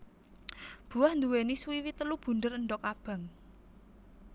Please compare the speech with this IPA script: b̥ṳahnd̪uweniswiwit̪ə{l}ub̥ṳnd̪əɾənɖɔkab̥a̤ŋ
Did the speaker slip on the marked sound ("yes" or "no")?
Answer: no